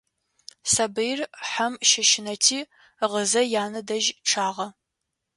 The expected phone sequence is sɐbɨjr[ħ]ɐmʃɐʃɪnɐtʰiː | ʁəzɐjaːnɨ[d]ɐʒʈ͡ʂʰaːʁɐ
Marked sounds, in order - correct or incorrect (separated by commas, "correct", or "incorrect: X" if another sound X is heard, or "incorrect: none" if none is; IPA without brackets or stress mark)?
correct, correct